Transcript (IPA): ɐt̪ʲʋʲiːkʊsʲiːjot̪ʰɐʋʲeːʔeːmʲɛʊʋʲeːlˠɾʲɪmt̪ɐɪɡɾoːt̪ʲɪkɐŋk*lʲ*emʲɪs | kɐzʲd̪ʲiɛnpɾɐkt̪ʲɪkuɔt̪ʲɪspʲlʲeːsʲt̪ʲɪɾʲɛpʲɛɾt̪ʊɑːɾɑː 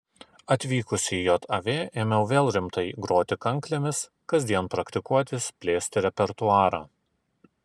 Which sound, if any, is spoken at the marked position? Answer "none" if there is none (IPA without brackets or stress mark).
lʲ